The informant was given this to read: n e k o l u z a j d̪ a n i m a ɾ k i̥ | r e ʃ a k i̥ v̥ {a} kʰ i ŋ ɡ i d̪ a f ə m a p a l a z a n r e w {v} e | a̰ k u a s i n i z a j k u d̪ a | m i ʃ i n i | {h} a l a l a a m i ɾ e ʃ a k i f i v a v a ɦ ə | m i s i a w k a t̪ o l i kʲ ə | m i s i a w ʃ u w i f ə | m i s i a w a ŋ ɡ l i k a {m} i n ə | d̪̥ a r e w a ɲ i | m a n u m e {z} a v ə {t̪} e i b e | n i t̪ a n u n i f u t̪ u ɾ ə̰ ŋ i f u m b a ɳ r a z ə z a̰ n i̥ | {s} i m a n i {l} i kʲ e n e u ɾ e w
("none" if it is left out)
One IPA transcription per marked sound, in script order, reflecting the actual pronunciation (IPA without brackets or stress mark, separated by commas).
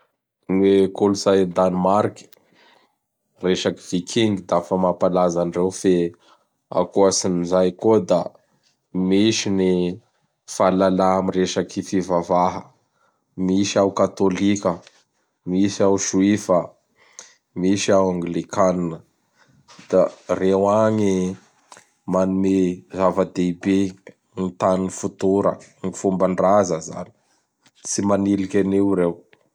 i, f, f, n, z, d̪, t͡s, l